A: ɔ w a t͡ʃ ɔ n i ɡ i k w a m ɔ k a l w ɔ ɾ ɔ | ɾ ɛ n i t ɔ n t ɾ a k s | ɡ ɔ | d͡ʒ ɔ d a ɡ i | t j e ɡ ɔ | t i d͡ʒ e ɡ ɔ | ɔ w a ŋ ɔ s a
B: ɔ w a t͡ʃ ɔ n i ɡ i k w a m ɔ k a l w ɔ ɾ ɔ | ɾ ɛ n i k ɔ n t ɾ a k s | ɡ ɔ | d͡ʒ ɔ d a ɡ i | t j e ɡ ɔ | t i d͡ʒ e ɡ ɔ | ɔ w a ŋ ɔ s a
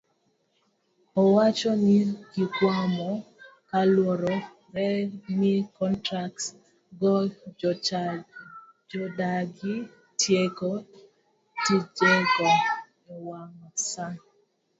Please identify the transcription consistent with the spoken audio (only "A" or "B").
B